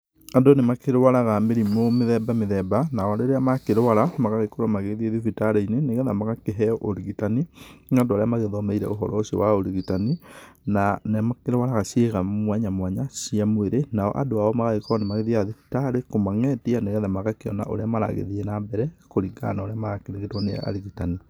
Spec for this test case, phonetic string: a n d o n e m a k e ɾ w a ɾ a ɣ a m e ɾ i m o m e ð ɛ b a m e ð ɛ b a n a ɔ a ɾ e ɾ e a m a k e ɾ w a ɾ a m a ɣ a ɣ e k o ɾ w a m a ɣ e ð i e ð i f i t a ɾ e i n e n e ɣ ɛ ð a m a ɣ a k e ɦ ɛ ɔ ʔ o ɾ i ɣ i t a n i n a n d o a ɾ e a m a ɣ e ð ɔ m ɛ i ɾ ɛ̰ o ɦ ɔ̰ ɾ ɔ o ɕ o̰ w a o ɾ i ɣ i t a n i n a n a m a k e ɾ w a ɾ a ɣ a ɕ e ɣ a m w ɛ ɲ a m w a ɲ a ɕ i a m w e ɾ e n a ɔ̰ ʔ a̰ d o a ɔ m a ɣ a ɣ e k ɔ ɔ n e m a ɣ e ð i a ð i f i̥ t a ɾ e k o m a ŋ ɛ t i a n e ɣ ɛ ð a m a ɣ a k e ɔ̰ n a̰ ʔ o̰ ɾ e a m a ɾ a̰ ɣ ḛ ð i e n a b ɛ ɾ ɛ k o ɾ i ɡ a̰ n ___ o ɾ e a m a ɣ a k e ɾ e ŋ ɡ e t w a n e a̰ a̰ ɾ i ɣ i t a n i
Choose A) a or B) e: A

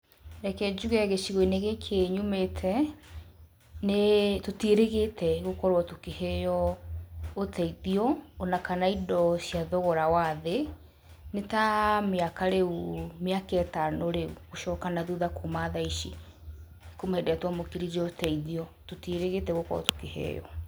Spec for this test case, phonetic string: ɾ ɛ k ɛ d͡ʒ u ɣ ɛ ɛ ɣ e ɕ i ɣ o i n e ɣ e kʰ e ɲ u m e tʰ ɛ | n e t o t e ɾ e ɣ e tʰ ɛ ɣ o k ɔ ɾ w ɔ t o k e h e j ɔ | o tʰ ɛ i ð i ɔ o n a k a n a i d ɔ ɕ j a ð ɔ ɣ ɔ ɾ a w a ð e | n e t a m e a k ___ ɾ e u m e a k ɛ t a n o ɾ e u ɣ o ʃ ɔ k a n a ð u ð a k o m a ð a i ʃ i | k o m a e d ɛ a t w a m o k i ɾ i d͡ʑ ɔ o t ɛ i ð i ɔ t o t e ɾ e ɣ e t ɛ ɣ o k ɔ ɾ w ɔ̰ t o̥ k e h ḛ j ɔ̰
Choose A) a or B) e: A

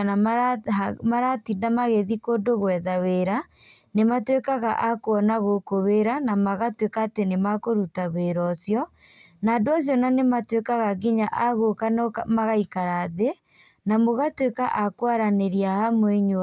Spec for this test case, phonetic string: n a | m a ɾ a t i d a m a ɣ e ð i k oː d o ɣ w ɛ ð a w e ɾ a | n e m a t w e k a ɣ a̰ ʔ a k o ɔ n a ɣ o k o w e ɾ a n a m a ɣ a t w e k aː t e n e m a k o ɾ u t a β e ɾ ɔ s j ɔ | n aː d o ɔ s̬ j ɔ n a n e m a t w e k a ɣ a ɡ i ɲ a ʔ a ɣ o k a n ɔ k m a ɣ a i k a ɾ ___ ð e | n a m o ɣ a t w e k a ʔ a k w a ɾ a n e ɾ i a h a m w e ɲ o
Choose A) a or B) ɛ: A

